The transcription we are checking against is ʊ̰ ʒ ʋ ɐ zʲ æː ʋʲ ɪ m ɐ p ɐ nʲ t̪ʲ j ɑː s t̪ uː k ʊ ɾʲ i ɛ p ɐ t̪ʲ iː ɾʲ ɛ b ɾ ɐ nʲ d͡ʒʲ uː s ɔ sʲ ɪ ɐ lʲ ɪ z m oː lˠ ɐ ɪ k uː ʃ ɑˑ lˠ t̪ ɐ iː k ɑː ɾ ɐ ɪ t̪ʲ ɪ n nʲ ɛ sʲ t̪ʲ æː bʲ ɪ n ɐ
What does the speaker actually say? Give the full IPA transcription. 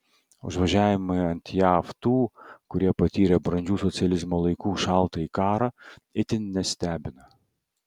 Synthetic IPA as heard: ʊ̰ ʒ ʋ ɐ ʒʲ æː ʋʲ ɪ m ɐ ɐ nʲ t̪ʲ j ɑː f t̪ uː k ʊ ɾʲ i ɛ p ɐ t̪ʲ iː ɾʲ ɛ b ɾ ɐ nʲ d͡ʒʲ uː s ɔ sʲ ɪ ɐ lʲ ɪ z m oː lˠ ɐ ɪ k uː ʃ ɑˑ lˠ t̪ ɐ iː k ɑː ɾ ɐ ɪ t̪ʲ ɪ n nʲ ɛ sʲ t̪ʲ æː bʲ ɪ n ɐ